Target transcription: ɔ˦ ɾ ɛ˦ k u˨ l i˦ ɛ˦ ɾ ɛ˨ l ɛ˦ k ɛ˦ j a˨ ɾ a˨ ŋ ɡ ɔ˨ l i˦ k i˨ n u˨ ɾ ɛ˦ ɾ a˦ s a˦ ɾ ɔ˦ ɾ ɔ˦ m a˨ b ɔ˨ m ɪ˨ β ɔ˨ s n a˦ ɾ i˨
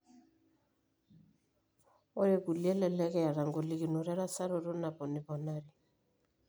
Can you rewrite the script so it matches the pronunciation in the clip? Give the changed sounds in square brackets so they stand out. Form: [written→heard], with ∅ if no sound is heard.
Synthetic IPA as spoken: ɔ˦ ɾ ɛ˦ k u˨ l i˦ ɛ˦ [ɾ→l] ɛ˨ l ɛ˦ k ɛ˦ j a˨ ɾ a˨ ŋ ɡ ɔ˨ l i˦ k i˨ n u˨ ɾ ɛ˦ ɾ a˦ s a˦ ɾ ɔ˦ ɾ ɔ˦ [m→n] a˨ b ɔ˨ [m→n] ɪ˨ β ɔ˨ [s→∅] n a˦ ɾ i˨